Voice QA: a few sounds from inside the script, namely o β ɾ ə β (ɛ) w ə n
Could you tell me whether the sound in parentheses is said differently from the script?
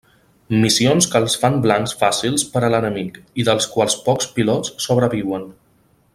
yes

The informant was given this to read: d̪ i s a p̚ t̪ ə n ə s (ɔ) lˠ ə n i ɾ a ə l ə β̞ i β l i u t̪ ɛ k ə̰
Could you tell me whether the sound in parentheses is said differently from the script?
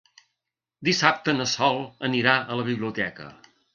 no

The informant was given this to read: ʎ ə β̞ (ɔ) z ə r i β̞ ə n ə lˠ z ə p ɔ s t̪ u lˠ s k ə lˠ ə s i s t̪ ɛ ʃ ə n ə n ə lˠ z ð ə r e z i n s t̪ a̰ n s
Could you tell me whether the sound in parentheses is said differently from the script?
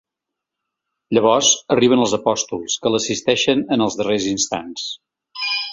no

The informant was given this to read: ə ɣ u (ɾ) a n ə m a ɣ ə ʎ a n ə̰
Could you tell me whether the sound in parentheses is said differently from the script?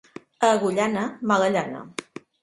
yes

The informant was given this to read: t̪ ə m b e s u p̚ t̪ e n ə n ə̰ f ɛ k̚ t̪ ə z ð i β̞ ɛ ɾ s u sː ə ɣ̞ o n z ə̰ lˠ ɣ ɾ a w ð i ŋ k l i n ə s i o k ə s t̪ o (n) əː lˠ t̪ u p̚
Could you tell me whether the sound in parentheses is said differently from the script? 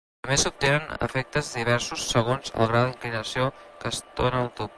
no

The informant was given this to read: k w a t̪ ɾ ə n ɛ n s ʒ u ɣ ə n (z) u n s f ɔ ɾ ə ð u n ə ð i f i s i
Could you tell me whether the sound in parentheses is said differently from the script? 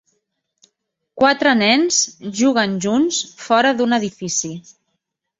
yes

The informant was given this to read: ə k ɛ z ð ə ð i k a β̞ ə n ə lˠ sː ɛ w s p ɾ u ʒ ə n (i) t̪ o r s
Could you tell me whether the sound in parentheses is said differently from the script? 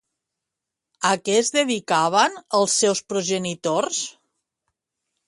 no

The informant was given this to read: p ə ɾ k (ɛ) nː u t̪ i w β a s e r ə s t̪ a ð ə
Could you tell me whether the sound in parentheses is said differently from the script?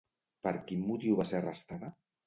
yes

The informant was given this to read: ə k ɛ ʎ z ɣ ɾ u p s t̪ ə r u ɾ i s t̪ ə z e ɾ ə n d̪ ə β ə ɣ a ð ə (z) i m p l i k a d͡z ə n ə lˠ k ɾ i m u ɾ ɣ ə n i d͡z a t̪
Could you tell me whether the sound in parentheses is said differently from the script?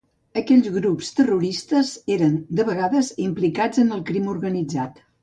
no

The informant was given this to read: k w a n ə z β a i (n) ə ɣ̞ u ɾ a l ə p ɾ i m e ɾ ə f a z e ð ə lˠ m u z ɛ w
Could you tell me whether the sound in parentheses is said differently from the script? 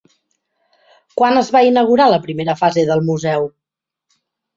no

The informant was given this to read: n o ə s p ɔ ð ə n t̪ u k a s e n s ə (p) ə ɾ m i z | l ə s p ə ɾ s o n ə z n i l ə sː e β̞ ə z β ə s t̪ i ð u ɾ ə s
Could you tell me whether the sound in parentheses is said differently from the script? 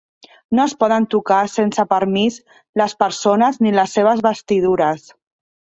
no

